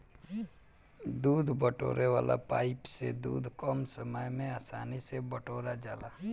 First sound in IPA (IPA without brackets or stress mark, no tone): d̪